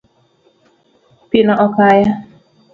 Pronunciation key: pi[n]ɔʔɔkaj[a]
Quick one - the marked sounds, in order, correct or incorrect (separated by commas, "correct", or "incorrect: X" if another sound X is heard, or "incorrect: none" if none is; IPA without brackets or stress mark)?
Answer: correct, correct